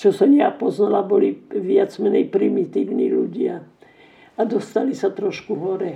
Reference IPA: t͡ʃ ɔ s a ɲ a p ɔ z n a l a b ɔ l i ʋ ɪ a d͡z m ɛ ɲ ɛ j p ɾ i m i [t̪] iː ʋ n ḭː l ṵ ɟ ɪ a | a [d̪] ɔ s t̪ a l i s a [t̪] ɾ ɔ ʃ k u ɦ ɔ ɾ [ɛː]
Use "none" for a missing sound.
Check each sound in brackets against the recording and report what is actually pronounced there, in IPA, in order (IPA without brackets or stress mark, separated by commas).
t̪, d̪, t̪, ɛ